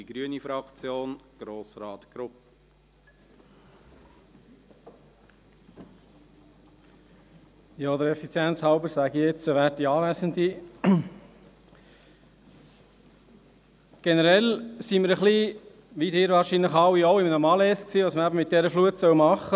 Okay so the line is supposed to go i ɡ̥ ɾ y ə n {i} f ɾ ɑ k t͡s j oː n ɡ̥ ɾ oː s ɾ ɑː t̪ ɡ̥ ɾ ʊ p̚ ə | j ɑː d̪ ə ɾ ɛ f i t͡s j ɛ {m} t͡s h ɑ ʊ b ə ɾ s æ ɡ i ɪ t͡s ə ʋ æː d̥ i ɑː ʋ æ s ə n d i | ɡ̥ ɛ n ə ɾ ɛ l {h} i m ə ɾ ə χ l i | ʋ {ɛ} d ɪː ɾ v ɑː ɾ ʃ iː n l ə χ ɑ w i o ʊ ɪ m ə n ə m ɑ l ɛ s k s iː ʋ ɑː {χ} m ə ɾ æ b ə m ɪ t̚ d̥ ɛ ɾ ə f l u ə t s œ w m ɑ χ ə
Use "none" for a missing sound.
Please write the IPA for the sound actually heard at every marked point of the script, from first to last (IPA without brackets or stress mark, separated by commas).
i, n, s, i, s